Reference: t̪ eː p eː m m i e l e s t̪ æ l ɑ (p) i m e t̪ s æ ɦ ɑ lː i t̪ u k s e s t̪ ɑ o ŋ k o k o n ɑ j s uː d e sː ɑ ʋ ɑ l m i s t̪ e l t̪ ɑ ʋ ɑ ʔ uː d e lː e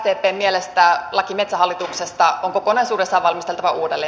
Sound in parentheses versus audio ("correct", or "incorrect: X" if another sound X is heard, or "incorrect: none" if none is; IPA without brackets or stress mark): incorrect: k